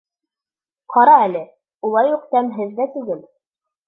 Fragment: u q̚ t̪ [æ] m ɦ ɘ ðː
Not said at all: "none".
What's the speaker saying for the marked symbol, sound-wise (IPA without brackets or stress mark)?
æ